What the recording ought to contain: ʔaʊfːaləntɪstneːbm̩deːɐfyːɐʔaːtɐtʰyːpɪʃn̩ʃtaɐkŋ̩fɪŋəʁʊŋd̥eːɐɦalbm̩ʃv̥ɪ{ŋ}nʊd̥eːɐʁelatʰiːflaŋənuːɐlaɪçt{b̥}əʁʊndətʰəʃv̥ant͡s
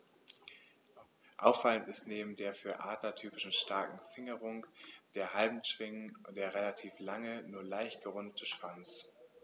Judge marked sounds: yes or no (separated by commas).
yes, no